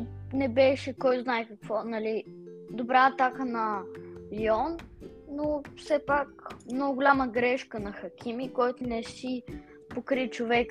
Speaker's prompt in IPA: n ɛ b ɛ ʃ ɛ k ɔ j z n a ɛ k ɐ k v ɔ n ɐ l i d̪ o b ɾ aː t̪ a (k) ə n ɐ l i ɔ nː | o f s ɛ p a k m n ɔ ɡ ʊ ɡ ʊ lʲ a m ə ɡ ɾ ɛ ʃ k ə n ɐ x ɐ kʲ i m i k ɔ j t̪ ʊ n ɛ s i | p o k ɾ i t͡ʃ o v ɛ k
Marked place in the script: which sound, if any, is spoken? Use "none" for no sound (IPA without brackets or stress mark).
k